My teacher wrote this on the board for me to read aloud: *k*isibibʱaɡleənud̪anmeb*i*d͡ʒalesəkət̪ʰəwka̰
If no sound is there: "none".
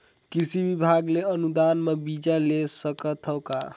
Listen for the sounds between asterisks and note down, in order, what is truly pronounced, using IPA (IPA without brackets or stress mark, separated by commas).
k, i